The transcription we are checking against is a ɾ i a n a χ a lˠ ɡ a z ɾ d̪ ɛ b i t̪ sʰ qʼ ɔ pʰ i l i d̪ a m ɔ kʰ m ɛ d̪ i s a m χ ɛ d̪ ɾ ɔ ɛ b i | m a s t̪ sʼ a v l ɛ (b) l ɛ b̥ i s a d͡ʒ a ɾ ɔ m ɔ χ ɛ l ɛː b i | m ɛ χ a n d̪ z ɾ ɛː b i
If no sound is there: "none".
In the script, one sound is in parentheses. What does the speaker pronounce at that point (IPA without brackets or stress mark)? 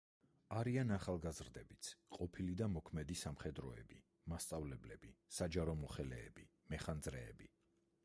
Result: b